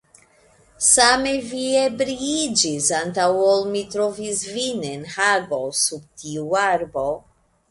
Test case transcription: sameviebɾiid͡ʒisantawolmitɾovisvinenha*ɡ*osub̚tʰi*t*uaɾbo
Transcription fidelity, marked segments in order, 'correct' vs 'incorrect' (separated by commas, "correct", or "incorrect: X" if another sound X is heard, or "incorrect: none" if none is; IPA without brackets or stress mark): correct, incorrect: none